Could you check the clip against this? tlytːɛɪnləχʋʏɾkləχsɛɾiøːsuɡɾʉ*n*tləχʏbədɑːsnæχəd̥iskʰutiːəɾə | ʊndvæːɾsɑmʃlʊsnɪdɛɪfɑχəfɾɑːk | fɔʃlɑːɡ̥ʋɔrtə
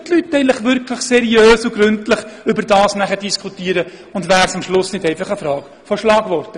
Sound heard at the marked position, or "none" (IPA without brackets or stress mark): n